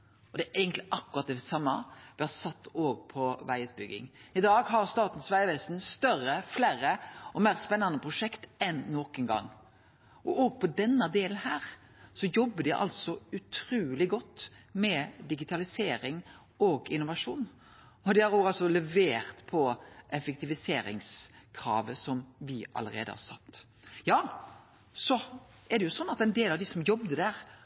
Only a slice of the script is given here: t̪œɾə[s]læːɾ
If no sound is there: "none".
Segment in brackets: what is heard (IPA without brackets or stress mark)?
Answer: f